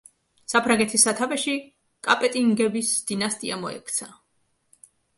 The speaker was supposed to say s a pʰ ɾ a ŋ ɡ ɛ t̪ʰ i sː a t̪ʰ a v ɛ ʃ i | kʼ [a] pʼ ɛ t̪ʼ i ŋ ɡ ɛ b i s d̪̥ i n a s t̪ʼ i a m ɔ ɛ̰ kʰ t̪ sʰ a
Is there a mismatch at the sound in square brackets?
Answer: no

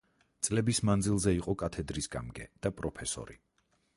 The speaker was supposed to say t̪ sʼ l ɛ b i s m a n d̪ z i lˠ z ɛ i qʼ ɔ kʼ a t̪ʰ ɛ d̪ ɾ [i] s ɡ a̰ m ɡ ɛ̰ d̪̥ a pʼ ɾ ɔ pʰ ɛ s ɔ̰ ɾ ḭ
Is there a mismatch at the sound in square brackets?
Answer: no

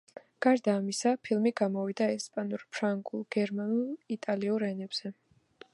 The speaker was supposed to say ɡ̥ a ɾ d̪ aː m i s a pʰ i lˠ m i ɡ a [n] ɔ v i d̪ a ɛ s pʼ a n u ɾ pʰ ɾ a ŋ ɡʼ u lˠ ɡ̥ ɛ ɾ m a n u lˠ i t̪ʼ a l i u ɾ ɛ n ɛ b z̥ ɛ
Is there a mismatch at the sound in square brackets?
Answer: yes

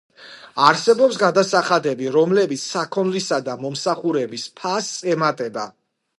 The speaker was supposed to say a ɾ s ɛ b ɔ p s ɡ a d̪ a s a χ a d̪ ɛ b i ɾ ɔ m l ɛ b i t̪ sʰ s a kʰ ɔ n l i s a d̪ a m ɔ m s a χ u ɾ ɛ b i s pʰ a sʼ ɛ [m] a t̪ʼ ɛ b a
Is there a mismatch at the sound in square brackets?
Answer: no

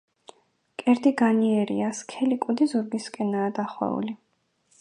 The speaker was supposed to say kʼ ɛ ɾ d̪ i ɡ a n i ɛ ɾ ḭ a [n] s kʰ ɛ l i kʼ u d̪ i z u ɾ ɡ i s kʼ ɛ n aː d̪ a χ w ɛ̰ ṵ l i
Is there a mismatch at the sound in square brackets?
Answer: yes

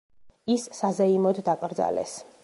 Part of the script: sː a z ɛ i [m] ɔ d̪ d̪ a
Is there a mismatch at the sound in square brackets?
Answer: no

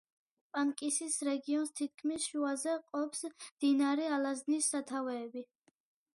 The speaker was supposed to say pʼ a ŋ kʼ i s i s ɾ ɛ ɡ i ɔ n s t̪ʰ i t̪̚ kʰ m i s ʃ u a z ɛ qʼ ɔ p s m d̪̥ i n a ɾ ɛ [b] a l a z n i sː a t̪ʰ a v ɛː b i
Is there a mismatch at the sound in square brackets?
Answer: yes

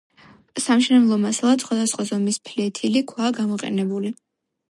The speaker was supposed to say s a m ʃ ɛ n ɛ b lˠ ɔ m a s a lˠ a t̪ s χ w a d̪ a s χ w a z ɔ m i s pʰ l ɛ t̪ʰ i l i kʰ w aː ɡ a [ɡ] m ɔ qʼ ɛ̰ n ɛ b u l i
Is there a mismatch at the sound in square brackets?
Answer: yes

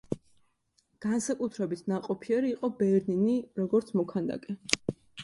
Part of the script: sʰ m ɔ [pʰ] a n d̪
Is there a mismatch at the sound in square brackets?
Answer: yes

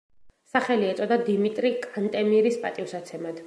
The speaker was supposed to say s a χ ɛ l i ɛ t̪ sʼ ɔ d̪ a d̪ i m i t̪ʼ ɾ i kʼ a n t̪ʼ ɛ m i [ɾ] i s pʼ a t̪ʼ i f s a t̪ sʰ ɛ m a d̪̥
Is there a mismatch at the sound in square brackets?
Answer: no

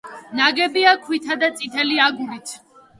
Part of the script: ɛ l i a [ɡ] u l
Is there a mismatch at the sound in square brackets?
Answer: no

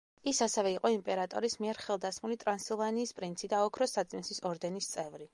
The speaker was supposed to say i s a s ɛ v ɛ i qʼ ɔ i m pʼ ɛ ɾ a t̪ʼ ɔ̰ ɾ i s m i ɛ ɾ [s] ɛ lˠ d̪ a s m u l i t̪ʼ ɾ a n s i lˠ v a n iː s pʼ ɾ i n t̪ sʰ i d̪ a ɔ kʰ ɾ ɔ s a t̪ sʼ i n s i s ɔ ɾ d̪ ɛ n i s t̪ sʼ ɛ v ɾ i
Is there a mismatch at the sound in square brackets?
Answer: yes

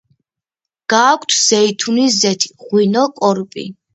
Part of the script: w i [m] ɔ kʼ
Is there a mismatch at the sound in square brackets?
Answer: yes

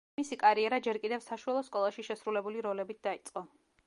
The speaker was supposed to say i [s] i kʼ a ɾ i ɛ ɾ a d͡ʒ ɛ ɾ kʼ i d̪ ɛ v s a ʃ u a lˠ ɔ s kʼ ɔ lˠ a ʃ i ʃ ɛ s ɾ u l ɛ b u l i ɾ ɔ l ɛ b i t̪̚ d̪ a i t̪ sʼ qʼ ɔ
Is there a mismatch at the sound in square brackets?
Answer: no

